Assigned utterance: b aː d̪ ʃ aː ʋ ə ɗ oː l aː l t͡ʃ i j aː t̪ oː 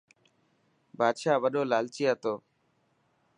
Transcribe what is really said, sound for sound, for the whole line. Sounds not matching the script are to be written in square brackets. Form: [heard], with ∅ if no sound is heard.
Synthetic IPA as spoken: b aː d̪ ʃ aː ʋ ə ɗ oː l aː l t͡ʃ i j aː t̪ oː